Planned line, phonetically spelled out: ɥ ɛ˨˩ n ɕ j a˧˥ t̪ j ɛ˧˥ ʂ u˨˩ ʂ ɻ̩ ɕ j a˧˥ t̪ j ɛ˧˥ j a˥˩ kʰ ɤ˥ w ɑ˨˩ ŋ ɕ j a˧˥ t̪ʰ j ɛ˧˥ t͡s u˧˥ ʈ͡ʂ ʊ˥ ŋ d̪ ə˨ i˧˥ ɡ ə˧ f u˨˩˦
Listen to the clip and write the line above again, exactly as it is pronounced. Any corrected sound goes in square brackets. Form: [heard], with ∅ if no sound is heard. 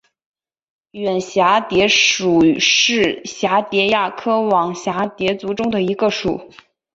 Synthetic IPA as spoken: ɥ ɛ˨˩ n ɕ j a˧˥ t̪ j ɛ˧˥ ʂ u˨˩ ʂ ɻ̩ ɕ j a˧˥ t̪ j ɛ˧˥ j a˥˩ kʰ ɤ˥ w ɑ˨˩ ŋ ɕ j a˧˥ [t̪] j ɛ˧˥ t͡s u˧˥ ʈ͡ʂ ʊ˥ ŋ d̪ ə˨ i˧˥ ɡ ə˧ [ʂ] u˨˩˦